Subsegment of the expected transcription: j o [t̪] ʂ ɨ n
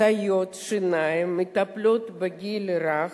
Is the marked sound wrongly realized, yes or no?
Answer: no